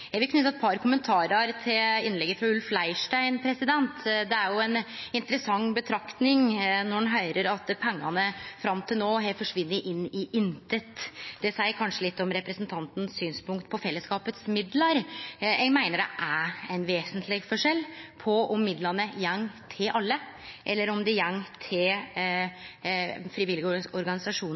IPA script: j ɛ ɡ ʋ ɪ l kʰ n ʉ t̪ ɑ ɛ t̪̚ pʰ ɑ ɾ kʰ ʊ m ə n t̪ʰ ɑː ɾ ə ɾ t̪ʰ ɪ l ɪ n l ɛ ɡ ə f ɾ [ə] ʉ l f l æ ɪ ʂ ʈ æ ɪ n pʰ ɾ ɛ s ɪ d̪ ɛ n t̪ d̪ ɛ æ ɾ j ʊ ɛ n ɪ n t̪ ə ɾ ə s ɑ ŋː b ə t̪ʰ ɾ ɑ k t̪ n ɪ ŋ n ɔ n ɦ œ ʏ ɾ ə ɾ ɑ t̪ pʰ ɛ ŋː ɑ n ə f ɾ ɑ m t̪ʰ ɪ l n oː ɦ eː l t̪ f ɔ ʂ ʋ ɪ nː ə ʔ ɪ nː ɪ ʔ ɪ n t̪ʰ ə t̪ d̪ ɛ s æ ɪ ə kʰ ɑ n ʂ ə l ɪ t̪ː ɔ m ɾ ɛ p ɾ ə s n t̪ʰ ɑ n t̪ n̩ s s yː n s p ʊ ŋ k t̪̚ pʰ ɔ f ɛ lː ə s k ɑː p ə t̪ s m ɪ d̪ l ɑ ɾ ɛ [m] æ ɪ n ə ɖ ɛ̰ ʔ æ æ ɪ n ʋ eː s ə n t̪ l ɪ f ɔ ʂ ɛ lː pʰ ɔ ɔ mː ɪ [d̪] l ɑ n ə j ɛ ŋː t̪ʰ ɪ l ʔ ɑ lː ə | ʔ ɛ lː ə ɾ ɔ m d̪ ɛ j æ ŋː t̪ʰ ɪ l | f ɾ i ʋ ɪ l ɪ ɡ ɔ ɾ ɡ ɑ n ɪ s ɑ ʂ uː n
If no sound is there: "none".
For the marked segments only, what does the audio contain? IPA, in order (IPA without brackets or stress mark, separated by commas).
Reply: ɑ, m, d̪